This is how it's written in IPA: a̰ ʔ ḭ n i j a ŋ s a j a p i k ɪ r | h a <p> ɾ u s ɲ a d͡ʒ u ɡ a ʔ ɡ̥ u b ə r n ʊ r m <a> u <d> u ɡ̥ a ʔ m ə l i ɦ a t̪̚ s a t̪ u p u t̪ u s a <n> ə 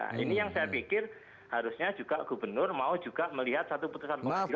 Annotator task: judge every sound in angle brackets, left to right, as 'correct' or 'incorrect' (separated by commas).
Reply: incorrect, correct, incorrect, correct